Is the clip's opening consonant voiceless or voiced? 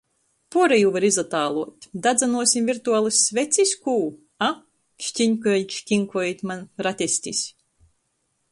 voiceless